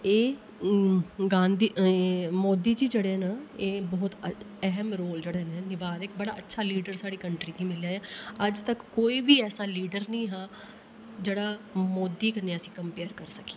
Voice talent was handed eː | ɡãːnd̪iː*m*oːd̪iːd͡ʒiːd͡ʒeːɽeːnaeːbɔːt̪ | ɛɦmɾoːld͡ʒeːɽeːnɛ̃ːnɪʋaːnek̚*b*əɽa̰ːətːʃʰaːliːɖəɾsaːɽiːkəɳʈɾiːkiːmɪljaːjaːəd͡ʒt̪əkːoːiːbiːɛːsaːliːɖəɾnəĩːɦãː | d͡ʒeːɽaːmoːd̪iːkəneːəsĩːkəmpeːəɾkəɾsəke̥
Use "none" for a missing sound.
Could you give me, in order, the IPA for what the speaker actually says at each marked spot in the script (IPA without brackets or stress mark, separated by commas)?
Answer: m, b